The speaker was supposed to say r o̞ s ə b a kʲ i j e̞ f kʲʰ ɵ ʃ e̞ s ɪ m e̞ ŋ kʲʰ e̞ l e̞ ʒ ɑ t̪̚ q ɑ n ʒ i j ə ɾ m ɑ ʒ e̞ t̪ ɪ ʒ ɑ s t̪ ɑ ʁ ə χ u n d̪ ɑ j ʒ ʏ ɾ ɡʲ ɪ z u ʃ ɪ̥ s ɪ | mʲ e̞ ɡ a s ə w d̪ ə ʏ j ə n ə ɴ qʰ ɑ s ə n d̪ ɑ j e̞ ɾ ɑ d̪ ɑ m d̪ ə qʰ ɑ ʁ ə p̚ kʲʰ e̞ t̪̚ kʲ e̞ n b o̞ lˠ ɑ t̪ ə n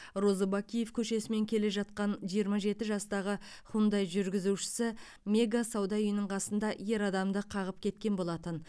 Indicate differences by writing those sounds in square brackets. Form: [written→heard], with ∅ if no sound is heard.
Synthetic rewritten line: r o̞ [s→z] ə b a kʲ i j e̞ f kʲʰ ɵ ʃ e̞ s ɪ m e̞ ŋ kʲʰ e̞ l e̞ ʒ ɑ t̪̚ q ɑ n ʒ i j ə ɾ m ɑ ʒ e̞ t̪ ɪ ʒ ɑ s t̪ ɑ ʁ ə χ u n d̪ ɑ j ʒ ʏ ɾ ɡʲ ɪ z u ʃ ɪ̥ s ɪ | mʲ e̞ ɡ a s [ə→ɑ] w d̪ [ə→ɑ] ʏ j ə n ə ɴ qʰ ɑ s ə n d̪ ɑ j e̞ ɾ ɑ d̪ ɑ m d̪ ə qʰ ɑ ʁ ə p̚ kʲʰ e̞ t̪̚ kʲ e̞ n b o̞ lˠ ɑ t̪ ə n